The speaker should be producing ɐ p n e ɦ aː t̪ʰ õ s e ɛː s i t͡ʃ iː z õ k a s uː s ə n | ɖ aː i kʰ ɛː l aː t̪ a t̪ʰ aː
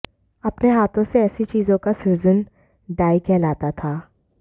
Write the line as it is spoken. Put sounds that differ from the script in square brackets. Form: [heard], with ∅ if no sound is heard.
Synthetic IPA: ɐ p n e ɦ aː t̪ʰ õ s e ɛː s i t͡ʃ iː z õ k a s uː [z] ə n | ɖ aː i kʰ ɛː l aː t̪ a t̪ʰ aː